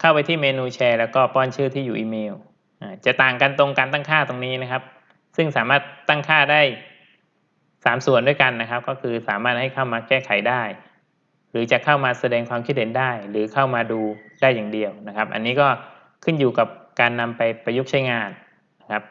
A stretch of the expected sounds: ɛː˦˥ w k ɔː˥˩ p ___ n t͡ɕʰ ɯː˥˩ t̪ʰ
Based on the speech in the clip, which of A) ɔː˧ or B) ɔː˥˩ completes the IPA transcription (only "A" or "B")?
B